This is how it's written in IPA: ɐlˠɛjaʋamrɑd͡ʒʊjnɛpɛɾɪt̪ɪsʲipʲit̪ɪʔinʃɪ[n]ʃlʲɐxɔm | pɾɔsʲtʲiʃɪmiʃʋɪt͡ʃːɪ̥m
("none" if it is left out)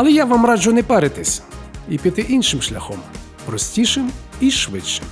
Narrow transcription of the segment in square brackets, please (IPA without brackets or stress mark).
m